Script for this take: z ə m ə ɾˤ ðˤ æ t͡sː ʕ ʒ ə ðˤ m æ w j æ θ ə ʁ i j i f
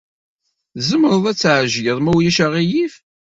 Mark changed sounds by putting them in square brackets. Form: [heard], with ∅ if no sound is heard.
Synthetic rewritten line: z ə m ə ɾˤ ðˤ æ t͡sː ʕ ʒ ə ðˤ m æ w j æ [ʃ] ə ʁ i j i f